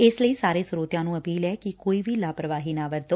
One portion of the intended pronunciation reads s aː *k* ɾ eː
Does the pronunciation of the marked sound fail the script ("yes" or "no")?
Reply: yes